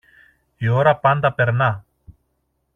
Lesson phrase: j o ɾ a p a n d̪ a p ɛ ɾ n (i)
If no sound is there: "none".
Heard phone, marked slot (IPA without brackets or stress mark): a